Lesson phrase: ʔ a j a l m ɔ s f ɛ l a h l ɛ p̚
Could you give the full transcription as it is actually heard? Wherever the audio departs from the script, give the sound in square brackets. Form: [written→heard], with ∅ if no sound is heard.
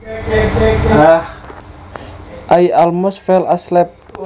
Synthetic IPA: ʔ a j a l m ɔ s f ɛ l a [h→s] l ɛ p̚